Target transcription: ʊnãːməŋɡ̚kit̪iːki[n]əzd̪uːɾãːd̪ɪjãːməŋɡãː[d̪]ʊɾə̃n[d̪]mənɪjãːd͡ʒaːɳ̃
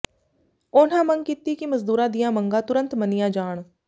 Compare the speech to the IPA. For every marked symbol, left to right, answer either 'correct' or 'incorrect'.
incorrect: m, incorrect: t̪, incorrect: t̪

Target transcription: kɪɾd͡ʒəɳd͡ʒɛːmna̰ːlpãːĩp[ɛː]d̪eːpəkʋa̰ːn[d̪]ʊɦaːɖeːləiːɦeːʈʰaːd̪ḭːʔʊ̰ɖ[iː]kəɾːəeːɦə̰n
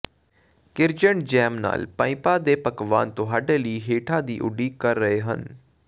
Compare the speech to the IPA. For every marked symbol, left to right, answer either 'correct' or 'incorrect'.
incorrect: aː, incorrect: t̪, correct

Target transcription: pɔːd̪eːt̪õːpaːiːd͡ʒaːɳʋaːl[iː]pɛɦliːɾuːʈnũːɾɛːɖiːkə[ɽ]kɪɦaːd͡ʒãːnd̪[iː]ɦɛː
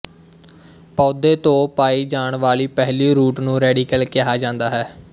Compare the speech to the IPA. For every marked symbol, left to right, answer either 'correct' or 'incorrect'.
correct, incorrect: l, incorrect: aː

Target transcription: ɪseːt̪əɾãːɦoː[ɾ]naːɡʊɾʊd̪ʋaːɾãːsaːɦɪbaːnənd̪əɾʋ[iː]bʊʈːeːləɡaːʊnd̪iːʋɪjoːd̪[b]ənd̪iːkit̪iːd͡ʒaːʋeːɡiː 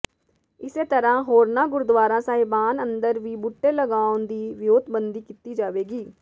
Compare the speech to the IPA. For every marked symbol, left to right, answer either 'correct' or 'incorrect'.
correct, correct, correct

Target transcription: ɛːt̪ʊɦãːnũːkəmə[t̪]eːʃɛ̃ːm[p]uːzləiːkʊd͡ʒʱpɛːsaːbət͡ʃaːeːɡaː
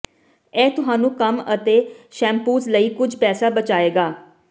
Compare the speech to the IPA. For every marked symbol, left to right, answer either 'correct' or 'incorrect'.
correct, correct

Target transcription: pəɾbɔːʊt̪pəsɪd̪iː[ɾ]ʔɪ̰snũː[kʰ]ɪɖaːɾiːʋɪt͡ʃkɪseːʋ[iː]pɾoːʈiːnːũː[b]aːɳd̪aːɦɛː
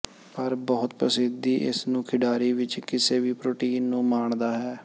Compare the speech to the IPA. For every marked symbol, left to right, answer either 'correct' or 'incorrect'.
incorrect: none, correct, correct, incorrect: m

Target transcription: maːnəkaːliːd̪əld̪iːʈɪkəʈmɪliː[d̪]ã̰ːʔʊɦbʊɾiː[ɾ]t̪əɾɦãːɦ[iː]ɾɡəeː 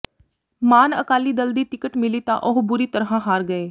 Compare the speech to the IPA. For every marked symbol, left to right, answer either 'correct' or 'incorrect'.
incorrect: t̪, incorrect: none, incorrect: aː

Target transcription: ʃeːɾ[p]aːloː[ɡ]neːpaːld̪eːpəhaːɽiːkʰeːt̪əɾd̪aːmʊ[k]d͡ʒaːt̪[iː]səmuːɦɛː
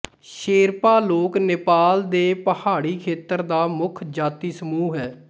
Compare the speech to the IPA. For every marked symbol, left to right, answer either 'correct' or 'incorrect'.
correct, incorrect: k, incorrect: kʰ, correct

